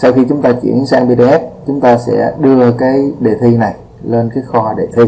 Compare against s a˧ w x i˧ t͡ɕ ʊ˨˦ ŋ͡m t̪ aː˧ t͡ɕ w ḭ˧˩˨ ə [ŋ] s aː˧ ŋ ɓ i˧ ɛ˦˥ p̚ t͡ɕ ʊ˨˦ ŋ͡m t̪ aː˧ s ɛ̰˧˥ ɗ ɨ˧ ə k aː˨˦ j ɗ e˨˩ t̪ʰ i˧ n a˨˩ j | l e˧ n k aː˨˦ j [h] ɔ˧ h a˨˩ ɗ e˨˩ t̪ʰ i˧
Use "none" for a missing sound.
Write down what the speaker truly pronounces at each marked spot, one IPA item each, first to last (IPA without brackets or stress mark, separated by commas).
n, x